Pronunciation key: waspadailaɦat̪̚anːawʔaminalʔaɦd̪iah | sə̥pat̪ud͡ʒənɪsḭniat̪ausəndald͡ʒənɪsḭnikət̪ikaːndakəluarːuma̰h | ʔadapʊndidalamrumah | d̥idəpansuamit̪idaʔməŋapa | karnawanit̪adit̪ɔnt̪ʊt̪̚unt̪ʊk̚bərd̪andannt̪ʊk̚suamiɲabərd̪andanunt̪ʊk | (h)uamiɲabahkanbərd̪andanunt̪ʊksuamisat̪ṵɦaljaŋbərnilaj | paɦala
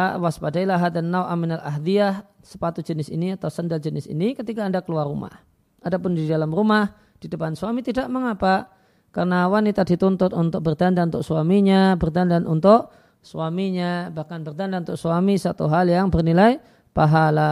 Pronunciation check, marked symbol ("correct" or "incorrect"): incorrect